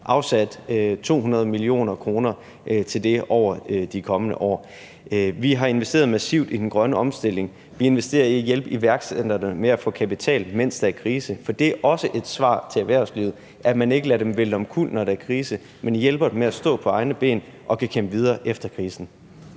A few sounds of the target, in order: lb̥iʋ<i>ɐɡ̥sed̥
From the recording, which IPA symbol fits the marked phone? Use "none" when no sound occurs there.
æ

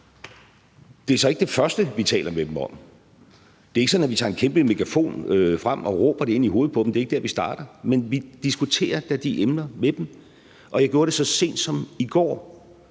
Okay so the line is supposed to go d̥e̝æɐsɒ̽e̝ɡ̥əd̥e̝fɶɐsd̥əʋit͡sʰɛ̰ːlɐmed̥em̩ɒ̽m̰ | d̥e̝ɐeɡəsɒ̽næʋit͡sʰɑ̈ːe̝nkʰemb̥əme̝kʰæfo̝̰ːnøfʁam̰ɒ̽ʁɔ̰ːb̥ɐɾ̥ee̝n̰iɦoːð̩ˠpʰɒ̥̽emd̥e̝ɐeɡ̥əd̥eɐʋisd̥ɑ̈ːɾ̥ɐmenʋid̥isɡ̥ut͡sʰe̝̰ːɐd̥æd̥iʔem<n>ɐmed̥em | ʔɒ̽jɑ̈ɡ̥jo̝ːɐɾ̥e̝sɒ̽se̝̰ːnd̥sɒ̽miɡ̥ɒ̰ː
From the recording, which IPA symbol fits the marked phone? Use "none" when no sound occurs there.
n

